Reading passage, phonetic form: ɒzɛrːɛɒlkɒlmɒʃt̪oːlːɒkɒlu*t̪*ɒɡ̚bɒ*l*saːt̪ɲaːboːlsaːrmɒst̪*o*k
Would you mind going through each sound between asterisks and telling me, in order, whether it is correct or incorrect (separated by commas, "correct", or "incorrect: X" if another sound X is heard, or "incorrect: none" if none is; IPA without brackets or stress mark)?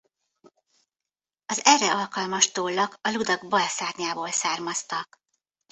incorrect: d̪, correct, incorrect: ɒ